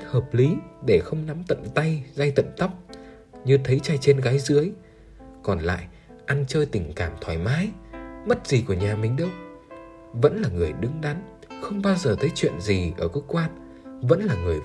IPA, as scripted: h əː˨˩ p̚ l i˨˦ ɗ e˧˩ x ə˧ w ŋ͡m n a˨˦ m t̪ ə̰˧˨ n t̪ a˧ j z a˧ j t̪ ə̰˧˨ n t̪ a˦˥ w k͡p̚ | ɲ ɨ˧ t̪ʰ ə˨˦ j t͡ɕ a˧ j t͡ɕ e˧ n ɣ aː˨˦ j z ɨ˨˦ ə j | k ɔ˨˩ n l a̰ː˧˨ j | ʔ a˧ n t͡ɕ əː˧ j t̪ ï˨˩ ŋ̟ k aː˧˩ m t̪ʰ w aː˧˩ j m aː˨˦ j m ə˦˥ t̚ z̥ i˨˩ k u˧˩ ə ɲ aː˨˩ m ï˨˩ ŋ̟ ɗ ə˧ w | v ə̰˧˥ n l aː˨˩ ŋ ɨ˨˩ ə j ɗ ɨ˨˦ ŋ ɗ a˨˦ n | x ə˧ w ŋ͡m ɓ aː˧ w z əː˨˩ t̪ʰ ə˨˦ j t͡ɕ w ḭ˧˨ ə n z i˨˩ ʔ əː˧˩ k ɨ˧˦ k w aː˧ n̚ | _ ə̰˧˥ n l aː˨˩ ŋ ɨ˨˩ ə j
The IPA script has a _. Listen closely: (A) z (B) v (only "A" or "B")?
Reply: B